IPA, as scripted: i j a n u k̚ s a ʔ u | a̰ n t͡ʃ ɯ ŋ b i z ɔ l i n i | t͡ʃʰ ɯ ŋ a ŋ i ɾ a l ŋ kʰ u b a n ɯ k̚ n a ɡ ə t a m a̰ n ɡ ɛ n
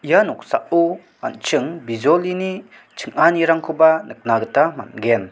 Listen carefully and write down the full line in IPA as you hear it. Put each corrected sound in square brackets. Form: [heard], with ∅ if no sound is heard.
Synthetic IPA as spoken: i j a n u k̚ s a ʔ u | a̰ n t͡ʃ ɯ ŋ b i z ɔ l i n i | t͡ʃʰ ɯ ŋ a [n] i ɾ a [∅] ŋ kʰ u b a n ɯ k̚ n a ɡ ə t a m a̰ n ɡ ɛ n